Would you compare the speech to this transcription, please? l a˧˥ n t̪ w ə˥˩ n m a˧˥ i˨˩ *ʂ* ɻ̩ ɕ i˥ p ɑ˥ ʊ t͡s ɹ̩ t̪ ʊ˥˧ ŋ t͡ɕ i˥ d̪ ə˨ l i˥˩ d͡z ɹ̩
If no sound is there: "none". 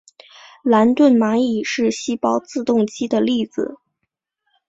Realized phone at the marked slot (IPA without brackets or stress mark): ʂ